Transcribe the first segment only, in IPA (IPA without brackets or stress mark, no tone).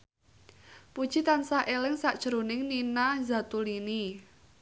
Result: p